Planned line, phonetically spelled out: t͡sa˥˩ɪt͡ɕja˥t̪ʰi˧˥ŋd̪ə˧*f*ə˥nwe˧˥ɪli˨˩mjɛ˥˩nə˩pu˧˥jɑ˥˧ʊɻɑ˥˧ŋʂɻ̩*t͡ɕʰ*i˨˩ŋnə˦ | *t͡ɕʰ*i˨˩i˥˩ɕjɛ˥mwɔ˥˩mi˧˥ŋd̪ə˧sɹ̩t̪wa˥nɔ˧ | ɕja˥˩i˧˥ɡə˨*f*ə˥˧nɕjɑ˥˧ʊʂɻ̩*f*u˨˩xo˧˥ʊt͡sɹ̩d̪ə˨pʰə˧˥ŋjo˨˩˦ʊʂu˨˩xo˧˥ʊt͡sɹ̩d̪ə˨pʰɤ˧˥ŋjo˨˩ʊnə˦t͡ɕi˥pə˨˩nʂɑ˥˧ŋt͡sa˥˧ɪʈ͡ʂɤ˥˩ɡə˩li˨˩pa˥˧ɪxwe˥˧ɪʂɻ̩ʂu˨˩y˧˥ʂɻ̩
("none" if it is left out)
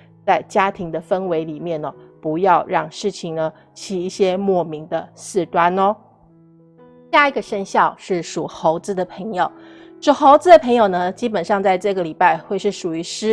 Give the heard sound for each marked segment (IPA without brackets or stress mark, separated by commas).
f, t͡ɕʰ, t͡ɕʰ, ʂ, ʂ